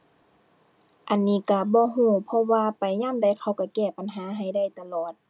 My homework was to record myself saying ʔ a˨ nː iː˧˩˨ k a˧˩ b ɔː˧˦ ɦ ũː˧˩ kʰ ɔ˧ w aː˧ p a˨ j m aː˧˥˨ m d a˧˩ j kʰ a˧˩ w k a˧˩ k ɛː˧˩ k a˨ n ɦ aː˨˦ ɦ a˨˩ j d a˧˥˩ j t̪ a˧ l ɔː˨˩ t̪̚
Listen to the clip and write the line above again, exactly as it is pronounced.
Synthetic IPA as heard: ʔ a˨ nː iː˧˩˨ k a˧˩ b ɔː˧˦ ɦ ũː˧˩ pʰ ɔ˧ w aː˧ p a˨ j ɲ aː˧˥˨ m d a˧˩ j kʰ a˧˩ w k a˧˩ k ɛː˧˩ p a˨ n ɦ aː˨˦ ɦ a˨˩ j d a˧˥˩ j t̪ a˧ l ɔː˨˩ t̪̚